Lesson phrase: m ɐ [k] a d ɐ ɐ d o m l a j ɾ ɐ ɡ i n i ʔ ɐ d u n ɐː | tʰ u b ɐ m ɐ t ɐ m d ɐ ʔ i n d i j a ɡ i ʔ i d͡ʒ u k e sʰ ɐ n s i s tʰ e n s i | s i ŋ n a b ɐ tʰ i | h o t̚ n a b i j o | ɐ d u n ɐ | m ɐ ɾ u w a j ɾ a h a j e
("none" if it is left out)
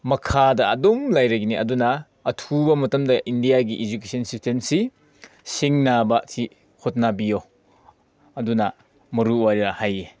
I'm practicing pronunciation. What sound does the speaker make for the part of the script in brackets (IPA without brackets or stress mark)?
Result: kʰ